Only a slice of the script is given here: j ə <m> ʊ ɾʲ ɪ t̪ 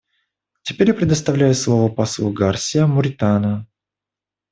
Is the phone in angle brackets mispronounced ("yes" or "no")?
no